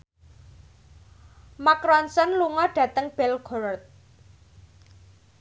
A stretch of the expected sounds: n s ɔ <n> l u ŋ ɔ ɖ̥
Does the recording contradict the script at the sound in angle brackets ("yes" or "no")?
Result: no